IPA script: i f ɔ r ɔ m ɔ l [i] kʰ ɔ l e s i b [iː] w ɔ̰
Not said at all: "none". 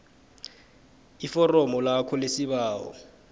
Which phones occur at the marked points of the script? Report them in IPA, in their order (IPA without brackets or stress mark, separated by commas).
a, aː